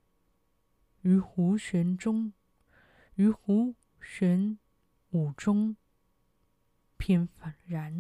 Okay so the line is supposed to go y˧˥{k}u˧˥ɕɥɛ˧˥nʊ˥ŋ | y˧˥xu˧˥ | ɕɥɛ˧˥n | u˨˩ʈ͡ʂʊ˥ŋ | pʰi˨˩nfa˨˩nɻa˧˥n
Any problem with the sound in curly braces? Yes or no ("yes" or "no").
yes